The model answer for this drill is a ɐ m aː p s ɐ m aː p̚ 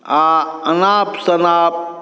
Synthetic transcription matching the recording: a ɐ n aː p s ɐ n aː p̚